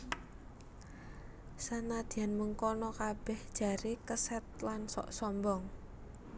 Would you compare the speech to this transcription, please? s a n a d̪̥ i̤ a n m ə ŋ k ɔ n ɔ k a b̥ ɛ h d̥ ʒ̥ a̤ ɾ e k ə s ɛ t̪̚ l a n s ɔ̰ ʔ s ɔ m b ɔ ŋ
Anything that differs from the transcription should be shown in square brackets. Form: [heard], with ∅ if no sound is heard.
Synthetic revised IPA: s a n a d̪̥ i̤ a n m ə ŋ k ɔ n ɔ k a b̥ ɛ h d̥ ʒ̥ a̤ ɾ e k ə s ɛ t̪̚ l a n s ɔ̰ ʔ s ɔ m b ɔ ŋ